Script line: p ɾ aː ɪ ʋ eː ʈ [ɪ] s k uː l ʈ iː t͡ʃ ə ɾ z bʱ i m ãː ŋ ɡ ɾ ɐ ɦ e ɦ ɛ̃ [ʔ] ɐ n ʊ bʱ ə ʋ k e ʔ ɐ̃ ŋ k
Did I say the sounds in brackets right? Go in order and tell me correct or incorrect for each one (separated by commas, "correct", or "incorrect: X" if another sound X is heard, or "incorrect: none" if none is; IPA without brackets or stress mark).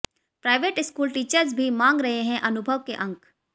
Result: correct, correct